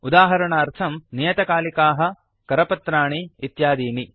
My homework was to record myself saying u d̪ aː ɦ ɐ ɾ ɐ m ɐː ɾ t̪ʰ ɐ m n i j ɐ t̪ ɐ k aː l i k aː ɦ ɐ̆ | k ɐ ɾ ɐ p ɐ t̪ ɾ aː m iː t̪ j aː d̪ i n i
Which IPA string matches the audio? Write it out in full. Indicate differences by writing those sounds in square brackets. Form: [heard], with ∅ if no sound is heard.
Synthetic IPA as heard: u d̪ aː ɦ ɐ ɾ ɐ [ɳ] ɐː ɾ t̪ʰ ɐ m n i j ɐ t̪ ɐ k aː l i k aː ɦ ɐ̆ | k ɐ ɾ ɐ p ɐ t̪ ɾ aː [ɳ] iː t̪ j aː d̪ [iː] n i